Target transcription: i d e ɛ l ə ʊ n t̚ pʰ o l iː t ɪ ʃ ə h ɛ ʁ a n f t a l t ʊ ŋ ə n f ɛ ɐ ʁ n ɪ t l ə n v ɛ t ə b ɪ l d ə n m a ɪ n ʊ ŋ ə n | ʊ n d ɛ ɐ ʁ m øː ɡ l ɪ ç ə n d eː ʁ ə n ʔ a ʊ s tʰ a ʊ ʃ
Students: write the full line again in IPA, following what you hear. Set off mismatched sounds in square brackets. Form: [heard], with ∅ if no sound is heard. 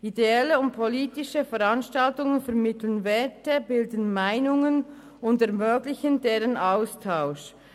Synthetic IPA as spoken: i d e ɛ l ə ʊ n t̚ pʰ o l iː t ɪ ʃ ə [f] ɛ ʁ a n [ʃ] t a l t ʊ ŋ ə n f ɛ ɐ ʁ [m] ɪ t l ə n v ɛ t ə b ɪ l d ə n m a ɪ n ʊ ŋ ə n | ʊ n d ɛ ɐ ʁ m øː ɡ l ɪ ç ə n d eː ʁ ə n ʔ a ʊ s tʰ a ʊ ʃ